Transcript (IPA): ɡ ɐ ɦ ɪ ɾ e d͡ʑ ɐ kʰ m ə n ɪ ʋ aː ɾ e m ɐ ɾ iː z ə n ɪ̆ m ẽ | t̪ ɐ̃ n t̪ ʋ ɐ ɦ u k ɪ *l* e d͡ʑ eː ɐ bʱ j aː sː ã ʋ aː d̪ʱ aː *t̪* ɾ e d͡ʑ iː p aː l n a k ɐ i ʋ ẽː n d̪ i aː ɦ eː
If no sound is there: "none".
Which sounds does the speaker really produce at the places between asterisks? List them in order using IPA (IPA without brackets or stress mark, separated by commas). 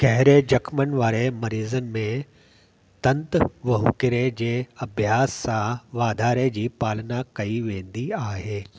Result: ɾ, none